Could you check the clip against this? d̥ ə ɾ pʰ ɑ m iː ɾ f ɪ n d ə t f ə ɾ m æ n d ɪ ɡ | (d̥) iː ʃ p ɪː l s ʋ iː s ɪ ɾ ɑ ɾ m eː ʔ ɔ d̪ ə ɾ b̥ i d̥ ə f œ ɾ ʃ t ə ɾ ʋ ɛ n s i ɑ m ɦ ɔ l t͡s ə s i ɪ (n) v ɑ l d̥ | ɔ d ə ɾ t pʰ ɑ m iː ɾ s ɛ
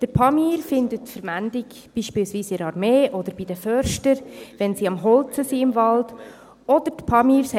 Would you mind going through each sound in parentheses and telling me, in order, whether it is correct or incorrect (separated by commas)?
incorrect, incorrect